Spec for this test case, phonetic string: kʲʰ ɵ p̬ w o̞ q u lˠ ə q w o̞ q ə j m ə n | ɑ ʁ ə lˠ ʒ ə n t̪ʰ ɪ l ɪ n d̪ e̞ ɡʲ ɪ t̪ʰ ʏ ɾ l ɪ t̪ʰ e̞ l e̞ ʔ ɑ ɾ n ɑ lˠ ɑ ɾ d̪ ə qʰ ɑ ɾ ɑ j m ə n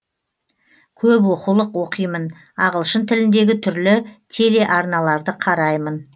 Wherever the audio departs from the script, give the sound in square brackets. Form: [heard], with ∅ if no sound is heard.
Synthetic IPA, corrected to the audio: kʲʰ ɵ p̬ w o̞ q u lˠ ə q w o̞ q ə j m ə n | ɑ ʁ ə lˠ [ʃ] ə n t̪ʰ ɪ l ɪ n d̪ e̞ ɡʲ ɪ t̪ʰ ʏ ɾ l ɪ t̪ʰ e̞ l e̞ ʔ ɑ ɾ n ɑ lˠ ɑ ɾ d̪ ə qʰ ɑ ɾ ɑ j m ə n